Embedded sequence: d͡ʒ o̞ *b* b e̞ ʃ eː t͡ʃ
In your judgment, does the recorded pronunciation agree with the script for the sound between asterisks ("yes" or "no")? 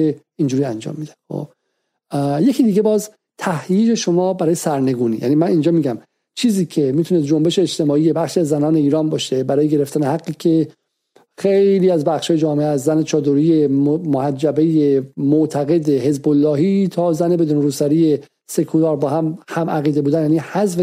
no